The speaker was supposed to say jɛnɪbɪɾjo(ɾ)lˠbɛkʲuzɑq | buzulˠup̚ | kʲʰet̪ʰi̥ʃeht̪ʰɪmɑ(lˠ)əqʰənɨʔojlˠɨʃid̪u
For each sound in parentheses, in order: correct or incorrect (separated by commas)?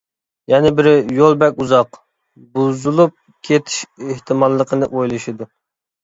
incorrect, incorrect